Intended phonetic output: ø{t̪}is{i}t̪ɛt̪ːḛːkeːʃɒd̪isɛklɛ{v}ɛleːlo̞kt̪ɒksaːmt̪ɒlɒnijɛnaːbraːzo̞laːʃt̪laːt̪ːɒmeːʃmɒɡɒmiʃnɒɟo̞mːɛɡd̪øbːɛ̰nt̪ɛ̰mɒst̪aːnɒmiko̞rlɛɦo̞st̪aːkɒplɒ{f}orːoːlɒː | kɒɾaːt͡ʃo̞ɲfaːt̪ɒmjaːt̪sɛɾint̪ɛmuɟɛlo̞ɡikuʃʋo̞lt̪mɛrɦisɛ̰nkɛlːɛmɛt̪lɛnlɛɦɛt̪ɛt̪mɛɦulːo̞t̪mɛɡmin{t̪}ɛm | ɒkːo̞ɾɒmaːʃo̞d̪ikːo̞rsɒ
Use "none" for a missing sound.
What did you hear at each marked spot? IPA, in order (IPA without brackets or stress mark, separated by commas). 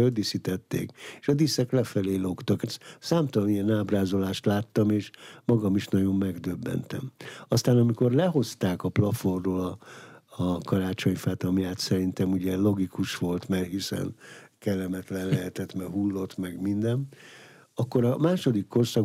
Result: d̪, i, f, f, d̪